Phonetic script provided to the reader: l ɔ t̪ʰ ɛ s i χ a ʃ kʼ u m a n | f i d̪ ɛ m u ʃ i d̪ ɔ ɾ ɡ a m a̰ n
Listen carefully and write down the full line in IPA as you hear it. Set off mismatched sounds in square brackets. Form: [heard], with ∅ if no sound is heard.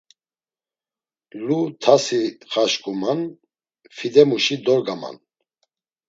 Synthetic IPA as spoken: l [u] t̪ʰ [a] s i χ a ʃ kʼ u m a n | f i d̪ ɛ m u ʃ i d̪ ɔ ɾ ɡ a m a̰ n